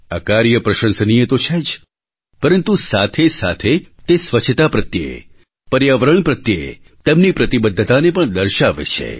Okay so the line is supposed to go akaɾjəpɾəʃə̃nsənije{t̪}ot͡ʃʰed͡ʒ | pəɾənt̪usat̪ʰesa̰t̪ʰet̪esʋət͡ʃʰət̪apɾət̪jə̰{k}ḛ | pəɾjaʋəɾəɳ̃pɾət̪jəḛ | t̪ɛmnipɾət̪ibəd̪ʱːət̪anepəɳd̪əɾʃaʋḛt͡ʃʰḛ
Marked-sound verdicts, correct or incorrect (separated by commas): correct, incorrect